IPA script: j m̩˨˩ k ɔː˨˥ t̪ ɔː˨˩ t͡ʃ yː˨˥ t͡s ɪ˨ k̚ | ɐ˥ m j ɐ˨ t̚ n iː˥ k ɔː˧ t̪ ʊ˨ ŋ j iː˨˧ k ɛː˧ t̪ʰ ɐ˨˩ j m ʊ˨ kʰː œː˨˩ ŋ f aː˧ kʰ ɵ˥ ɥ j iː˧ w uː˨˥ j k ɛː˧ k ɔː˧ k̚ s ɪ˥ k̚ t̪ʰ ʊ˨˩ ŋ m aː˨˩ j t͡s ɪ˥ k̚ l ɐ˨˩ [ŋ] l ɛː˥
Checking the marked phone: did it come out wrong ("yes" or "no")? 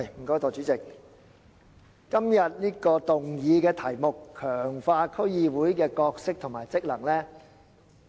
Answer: no